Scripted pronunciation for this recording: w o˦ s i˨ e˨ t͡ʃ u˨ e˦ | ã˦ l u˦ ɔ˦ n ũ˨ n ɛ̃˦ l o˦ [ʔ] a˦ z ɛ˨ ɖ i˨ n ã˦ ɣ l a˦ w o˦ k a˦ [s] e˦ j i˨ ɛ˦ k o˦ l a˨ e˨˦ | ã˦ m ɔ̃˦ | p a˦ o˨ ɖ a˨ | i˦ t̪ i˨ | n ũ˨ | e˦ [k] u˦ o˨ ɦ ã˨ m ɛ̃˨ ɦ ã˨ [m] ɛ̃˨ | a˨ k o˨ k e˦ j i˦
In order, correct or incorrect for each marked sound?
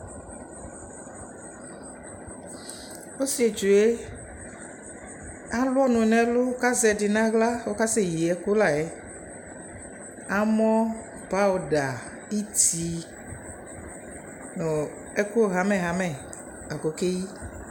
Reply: incorrect: k, correct, correct, correct

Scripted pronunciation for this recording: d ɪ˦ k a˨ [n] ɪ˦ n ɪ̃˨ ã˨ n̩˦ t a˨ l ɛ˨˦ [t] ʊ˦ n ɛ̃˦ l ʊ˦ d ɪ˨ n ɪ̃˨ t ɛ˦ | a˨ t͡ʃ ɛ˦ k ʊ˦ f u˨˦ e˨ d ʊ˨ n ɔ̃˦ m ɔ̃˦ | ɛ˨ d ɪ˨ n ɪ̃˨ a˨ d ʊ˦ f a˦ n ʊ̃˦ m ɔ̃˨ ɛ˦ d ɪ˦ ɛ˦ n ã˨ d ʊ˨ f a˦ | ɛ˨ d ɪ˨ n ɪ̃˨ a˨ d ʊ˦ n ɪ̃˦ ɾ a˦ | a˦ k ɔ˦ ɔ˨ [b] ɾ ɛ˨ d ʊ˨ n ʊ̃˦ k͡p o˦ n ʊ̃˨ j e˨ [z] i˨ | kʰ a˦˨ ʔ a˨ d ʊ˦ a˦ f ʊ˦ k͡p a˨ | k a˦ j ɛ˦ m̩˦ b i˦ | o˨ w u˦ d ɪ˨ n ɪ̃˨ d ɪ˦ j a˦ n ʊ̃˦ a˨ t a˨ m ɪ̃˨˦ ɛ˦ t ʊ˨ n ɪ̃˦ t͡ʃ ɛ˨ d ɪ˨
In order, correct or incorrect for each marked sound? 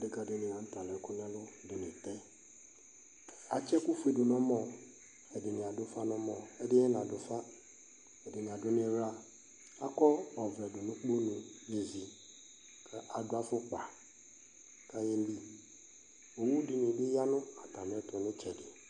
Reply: incorrect: d, incorrect: k, incorrect: v, correct

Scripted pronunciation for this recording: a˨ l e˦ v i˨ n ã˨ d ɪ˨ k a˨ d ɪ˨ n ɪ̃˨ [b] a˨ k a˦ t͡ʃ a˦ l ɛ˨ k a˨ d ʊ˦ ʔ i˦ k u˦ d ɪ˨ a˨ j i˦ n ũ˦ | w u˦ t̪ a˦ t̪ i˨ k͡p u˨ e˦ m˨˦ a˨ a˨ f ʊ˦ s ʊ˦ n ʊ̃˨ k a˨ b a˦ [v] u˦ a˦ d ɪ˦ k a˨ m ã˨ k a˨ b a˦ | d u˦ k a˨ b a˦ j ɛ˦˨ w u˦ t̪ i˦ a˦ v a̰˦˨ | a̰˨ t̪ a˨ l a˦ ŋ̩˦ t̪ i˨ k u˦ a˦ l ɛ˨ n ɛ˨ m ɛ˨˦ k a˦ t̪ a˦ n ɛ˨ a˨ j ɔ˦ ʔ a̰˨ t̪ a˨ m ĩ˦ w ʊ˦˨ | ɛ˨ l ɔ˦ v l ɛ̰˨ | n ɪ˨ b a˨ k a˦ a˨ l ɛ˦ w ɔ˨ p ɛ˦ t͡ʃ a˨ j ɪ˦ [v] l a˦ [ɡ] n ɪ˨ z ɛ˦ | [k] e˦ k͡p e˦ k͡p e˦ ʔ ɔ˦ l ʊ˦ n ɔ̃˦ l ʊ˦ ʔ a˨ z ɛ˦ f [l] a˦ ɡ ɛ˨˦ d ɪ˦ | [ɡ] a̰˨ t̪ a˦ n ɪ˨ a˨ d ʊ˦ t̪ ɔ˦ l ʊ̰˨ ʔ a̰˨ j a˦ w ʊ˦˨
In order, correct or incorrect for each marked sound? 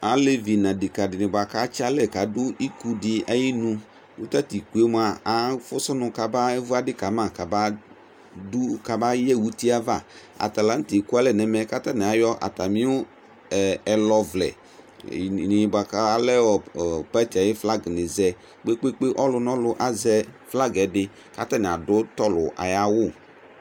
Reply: correct, correct, incorrect: f, correct, incorrect: k͡p, correct, incorrect: k

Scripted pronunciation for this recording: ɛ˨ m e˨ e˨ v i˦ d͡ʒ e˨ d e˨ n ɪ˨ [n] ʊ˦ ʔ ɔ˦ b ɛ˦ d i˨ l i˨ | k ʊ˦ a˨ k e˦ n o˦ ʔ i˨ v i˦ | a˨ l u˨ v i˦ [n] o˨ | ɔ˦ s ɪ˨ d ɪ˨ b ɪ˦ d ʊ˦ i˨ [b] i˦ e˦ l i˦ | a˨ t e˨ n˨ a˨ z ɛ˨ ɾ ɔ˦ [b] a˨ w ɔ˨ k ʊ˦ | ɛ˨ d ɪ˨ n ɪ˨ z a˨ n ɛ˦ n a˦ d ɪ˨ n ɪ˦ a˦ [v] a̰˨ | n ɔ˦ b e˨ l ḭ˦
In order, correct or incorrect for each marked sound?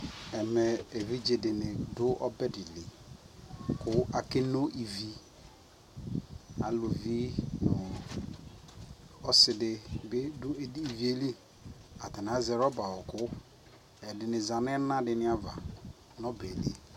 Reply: incorrect: d, correct, incorrect: v, correct, correct

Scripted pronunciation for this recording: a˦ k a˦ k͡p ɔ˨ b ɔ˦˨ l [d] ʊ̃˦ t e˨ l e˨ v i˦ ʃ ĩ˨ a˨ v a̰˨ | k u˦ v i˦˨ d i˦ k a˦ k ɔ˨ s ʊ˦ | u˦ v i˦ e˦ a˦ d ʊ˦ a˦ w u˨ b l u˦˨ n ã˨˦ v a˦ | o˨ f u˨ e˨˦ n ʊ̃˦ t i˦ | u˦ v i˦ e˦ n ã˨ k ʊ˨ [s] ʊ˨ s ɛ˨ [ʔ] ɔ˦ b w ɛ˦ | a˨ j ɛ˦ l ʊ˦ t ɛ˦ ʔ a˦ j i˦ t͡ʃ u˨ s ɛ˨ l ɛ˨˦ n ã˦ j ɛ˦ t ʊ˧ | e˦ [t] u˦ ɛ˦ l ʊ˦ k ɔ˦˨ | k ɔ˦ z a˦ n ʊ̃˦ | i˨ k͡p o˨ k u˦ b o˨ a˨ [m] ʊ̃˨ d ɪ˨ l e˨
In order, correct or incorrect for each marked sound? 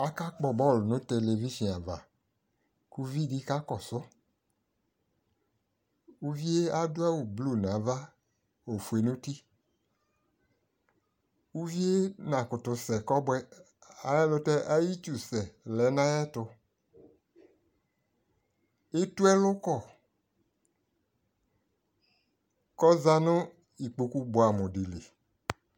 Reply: incorrect: n, incorrect: t, incorrect: k, correct, correct

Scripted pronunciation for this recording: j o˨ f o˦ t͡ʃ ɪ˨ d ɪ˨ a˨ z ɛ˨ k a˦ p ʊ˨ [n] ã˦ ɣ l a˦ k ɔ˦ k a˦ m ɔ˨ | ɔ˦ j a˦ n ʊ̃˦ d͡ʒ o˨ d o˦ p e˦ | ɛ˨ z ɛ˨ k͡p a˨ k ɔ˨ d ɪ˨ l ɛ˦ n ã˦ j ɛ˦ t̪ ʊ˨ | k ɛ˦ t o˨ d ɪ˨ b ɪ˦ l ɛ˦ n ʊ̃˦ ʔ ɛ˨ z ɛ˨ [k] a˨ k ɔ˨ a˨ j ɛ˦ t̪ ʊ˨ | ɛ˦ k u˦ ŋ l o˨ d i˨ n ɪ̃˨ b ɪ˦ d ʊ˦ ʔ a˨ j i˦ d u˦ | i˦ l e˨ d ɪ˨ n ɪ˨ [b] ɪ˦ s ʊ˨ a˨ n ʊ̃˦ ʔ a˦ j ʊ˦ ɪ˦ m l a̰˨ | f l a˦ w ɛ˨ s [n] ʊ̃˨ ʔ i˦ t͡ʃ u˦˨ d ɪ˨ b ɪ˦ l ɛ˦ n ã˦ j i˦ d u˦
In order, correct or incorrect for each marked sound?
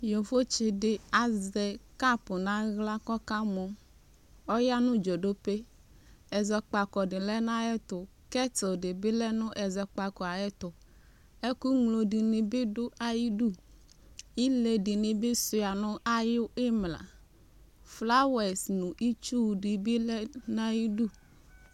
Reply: correct, incorrect: k͡p, correct, correct

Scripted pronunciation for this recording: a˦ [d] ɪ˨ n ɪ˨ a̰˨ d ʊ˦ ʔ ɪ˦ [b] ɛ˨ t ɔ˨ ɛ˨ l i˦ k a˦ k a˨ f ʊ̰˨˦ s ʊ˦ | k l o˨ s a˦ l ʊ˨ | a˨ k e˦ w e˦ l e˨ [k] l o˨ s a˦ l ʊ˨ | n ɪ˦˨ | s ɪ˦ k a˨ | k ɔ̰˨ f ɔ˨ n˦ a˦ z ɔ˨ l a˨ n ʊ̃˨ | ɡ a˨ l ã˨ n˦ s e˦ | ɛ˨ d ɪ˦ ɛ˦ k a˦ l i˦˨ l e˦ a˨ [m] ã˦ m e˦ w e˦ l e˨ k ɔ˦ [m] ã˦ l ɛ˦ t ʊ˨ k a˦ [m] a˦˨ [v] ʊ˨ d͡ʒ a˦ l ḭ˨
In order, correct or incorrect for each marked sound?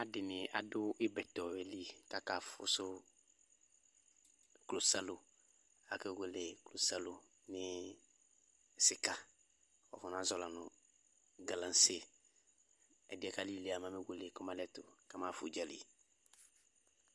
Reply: correct, correct, correct, correct, correct, correct, incorrect: f

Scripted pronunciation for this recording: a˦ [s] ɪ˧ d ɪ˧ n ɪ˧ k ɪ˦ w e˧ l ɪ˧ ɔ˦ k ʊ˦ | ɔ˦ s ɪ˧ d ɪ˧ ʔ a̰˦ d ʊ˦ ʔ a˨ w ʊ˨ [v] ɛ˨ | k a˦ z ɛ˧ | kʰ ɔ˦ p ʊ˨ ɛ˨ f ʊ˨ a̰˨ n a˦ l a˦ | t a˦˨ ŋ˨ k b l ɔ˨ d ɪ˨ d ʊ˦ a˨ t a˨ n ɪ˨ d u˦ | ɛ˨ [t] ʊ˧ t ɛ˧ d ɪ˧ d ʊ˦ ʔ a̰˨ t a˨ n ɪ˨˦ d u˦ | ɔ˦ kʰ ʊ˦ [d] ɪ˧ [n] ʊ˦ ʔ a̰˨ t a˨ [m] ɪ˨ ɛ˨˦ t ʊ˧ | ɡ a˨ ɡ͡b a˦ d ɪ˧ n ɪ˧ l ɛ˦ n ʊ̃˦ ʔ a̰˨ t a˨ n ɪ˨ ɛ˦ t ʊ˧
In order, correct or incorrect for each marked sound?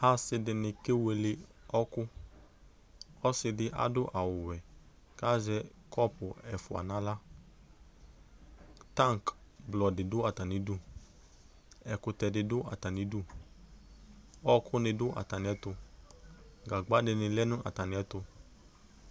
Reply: correct, incorrect: w, incorrect: k, incorrect: n, incorrect: d, incorrect: n

